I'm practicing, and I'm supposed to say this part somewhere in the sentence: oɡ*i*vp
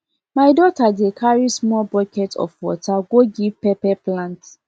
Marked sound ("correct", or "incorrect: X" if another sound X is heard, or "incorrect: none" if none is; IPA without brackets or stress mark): correct